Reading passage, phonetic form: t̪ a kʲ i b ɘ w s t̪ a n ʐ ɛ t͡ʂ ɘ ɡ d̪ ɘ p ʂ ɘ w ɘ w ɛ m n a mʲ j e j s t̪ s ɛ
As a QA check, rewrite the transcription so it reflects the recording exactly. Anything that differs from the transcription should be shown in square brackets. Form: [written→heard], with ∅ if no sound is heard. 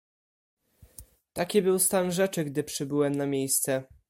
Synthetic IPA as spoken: t̪ a kʲ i b ɘ w s t̪ a n ʐ ɛ t͡ʂ ɘ ɡ d̪ ɘ p ʂ ɘ [w→b] ɘ w ɛ m n a mʲ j e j s t̪ s ɛ